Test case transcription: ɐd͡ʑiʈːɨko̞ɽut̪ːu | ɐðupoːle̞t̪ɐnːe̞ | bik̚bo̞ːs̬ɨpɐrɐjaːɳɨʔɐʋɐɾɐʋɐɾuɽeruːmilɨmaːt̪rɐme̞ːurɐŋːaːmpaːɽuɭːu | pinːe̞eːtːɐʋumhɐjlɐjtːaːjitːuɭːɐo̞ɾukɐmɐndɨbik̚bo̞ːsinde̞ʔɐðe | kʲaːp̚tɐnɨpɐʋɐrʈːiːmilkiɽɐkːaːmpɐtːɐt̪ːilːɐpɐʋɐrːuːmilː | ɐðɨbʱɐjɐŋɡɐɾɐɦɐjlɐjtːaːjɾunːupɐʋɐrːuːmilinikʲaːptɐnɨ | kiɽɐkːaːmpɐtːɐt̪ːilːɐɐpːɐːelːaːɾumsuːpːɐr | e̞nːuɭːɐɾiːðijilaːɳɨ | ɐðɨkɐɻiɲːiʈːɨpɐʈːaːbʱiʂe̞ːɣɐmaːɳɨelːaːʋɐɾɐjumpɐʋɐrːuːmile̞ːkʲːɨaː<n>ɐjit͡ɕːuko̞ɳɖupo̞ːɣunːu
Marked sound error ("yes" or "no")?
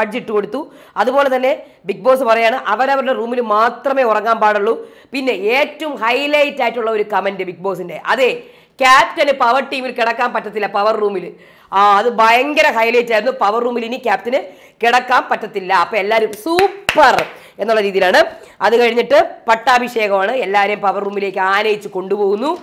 no